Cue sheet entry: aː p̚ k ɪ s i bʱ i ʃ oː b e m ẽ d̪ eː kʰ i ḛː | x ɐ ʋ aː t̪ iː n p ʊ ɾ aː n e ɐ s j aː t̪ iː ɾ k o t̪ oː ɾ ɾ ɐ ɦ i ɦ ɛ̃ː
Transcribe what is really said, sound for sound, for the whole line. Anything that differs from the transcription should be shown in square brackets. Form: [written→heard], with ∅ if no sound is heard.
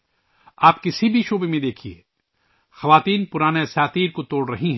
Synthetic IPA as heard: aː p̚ k ɪ s i bʱ i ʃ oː b e m ẽ d̪ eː kʰ i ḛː | x ɐ ʋ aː t̪ iː n p ʊ ɾ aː n e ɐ s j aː t̪ iː ɾ k o t̪ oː [ɾ→ɽ] ɾ ɐ ɦ i ɦ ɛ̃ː